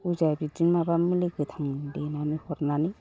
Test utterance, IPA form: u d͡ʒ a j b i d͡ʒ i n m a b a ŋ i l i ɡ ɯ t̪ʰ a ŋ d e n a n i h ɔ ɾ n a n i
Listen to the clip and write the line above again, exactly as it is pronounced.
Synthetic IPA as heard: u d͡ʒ a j b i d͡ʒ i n m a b a m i l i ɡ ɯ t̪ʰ a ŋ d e n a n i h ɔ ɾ n a n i